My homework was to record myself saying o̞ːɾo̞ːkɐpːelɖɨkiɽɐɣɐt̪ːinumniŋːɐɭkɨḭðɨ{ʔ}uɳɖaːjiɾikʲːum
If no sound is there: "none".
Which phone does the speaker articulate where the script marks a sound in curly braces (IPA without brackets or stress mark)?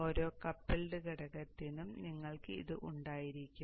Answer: ʔ